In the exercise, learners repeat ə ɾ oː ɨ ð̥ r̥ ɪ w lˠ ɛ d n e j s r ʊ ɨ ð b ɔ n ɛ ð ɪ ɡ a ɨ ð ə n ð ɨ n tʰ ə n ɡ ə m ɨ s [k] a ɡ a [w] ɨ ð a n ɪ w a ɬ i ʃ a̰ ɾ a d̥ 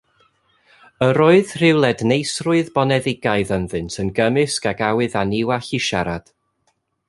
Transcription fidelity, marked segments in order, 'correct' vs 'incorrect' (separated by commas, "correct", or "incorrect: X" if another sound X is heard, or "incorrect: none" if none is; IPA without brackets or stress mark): correct, correct